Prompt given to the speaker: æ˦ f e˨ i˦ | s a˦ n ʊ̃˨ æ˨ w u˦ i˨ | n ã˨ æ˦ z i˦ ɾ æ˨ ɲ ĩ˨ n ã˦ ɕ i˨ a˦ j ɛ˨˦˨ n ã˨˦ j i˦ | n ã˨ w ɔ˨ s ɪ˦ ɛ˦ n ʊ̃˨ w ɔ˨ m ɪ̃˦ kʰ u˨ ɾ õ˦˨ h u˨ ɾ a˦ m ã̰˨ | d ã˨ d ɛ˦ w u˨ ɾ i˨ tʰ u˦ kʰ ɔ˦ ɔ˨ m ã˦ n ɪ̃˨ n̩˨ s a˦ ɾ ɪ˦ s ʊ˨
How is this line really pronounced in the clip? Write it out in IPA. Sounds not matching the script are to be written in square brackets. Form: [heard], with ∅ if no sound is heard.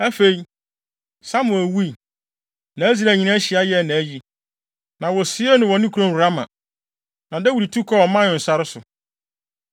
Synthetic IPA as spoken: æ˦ f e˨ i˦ | s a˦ [m] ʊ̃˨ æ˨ w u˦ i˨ | n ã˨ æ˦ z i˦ ɾ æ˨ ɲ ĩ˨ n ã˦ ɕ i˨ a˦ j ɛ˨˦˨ n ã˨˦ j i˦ | n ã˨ w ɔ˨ s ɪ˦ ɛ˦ n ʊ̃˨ w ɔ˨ [n] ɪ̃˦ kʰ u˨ ɾ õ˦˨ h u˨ ɾ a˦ m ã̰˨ | [n] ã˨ d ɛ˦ w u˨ ɾ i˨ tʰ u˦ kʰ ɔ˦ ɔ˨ m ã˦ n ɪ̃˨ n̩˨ s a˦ ɾ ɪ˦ s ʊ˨